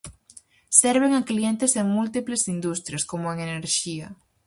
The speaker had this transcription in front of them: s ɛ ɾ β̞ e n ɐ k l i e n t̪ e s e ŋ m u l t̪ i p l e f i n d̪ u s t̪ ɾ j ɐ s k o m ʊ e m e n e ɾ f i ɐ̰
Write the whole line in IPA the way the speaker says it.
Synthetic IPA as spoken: s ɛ ɾ β̞ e ŋ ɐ k l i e n t̪ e s e ŋ m u l t̪ i p l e s i n d̪ u s t̪ ɾ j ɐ s k o m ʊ e ŋ e n e ɾ ʃ i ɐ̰